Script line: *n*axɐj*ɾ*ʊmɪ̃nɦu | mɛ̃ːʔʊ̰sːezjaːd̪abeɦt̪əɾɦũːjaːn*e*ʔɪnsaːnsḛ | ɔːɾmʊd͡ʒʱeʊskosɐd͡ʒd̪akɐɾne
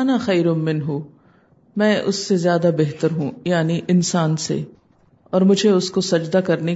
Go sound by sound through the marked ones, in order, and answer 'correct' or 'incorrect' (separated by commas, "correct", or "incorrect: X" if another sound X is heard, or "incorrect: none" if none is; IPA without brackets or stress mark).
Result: correct, correct, incorrect: i